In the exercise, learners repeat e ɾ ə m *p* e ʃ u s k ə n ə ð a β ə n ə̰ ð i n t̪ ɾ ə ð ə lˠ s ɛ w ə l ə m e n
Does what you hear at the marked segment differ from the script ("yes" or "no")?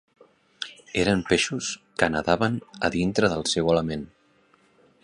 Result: no